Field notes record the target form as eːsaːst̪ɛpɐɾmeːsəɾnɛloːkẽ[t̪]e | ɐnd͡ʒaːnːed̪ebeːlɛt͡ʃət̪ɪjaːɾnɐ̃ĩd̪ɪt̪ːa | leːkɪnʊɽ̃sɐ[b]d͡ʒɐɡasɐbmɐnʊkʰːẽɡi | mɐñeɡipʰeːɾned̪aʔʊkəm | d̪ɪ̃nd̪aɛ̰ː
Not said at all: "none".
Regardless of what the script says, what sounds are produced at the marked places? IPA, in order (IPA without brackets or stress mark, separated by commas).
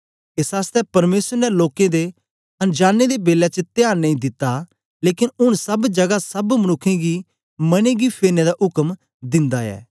d̪, b